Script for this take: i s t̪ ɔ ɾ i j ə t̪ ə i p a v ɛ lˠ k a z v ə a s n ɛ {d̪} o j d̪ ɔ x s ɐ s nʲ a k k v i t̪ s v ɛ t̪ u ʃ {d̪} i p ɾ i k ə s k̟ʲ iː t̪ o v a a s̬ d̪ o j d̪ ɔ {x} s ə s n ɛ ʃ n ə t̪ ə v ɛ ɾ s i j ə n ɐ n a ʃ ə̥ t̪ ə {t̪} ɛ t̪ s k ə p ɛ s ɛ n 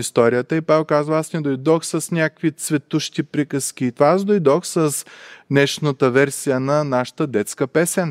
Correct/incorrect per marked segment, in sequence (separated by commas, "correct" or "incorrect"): correct, incorrect, correct, incorrect